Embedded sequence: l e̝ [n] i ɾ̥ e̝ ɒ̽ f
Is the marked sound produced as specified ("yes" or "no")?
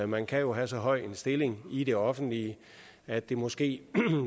no